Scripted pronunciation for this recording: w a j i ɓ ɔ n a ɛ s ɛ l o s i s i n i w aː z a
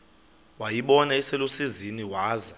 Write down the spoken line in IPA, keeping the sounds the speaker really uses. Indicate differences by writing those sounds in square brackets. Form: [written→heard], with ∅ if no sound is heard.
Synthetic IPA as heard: w a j i ɓ ɔ n a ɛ s ɛ l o s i [s→z] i n i w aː z a